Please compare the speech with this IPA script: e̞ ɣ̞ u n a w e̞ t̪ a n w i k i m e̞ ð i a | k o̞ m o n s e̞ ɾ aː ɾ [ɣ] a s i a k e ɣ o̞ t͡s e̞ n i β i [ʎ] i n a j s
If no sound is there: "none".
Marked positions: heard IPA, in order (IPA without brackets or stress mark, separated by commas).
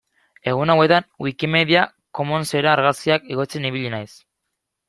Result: ɣ, ʎ